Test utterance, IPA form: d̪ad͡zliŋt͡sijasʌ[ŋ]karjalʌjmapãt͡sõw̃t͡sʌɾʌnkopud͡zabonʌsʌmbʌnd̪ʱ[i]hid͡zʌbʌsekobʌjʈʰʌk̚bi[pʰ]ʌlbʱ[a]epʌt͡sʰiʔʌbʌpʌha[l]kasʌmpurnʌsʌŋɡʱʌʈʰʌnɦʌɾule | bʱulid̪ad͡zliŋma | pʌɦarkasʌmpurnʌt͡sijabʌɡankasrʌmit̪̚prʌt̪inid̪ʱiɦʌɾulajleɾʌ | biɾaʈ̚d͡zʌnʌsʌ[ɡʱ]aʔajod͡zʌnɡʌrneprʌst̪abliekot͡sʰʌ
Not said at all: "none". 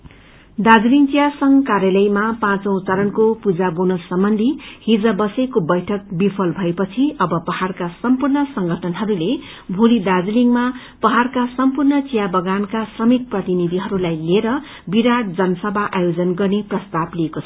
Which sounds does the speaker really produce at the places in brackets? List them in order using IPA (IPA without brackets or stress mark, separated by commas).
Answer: ŋ, i, pʰ, ʌ, r, bʱ